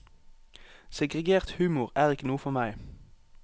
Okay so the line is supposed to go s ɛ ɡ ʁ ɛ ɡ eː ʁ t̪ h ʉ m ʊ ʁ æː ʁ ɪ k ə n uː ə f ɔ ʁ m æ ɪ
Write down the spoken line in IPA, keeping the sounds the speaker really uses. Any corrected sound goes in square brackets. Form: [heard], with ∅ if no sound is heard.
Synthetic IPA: s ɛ ɡ ʁ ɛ ɡ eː ʁ t̪ h [ʉː] m ʊ ʁ æː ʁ ɪ k ə n uː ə f ɔ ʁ m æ ɪ